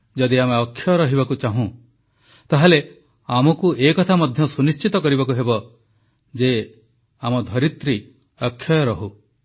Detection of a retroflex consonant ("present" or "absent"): absent